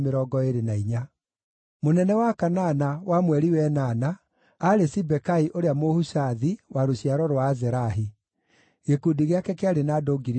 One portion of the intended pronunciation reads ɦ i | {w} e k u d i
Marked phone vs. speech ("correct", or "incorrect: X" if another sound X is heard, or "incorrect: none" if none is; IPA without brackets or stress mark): incorrect: ɣ